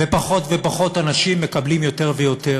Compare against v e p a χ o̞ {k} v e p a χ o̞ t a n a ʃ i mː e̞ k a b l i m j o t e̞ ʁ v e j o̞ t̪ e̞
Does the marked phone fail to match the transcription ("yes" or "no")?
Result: yes